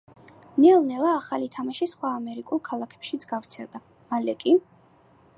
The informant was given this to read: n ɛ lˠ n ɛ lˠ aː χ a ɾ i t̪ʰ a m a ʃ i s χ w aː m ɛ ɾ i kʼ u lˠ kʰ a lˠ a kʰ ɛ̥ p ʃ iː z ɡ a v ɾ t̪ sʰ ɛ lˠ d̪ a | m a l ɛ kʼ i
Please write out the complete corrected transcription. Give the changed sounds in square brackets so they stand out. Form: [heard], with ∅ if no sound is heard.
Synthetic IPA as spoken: n ɛ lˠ n ɛ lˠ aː χ a [l] i t̪ʰ a m a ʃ i s χ w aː m ɛ ɾ i kʼ u lˠ kʰ a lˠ a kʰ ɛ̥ p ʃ [i] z ɡ a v ɾ t̪ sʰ ɛ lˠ d̪ a | m a l ɛ kʼ i